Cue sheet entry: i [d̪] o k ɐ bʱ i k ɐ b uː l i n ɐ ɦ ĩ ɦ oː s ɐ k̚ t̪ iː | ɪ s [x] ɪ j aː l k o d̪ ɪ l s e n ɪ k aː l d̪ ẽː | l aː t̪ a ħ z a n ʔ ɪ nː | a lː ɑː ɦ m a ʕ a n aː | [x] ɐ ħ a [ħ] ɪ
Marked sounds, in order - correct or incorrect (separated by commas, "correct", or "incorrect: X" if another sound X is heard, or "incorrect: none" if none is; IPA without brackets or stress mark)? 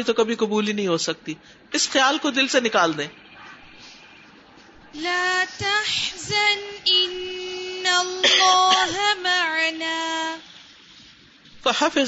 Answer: incorrect: t̪, correct, incorrect: f, incorrect: f